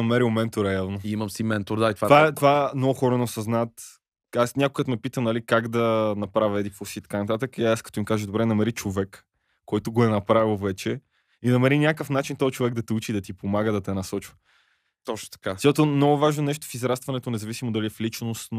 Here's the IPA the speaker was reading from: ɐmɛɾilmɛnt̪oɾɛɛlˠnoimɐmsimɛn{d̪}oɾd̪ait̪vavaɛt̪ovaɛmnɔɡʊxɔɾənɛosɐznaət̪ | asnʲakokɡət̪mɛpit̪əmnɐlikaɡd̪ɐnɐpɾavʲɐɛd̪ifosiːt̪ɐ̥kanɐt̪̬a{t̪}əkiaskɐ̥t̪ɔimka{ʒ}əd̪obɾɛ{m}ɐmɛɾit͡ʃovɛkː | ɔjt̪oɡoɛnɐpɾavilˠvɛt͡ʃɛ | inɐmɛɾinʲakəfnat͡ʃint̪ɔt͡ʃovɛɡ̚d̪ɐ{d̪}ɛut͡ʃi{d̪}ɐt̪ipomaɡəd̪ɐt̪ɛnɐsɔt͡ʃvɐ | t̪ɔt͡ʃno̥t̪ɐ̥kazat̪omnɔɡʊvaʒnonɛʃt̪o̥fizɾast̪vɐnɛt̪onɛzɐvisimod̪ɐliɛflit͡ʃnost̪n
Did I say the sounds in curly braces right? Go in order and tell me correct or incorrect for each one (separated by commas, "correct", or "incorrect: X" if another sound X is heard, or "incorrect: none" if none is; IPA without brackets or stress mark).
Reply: incorrect: t̪, correct, correct, incorrect: n, incorrect: t̪, correct